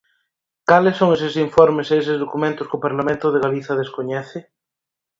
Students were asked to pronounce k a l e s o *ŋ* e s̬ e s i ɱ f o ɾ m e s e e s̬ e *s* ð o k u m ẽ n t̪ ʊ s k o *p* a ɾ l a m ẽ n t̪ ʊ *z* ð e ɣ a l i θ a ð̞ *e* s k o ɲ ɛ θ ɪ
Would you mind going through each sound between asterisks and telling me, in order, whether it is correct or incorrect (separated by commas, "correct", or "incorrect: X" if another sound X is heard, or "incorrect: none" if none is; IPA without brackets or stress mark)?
correct, incorrect: z, correct, incorrect: none, correct